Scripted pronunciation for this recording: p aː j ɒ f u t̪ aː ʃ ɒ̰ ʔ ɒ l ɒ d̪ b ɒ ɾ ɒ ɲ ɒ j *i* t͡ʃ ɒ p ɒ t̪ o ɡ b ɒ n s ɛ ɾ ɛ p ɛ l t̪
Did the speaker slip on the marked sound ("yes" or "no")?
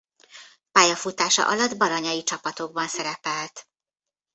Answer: no